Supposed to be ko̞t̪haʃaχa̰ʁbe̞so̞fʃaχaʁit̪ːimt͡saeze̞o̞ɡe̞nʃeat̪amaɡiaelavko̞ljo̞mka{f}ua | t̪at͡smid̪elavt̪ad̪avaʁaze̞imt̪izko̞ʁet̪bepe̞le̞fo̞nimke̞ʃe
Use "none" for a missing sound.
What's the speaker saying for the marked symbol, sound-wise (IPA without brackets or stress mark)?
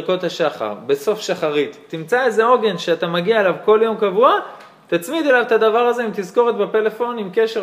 v